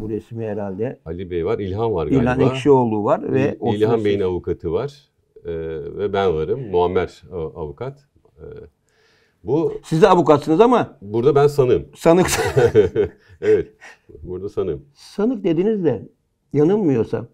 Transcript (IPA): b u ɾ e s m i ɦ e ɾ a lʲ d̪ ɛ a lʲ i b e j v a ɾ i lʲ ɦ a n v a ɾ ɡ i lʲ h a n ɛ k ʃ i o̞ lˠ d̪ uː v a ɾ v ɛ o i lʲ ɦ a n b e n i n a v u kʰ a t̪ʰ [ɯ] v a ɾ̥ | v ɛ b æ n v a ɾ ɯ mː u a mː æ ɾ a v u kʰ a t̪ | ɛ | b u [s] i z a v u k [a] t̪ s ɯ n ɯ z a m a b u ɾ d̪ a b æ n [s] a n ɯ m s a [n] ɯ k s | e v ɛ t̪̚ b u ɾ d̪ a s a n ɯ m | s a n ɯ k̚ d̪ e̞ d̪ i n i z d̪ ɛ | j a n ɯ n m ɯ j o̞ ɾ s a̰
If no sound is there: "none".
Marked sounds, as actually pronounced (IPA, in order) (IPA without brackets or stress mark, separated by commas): ɯ, s, a, s, n